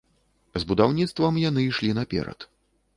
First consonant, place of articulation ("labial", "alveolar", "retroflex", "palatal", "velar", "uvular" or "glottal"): alveolar